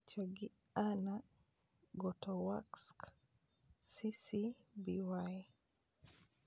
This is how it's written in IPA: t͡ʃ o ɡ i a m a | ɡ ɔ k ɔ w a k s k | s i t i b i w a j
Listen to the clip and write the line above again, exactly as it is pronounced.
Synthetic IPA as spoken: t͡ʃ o ɡ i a n a | ɡ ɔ t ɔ w a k s k | s i s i b i w a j